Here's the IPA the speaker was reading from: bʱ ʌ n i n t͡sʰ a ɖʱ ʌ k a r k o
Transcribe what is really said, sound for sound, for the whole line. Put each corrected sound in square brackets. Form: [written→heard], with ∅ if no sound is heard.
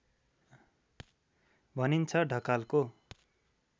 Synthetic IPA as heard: bʱ ʌ n i n t͡sʰ [a→ʌ] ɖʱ ʌ k a [r→l] k o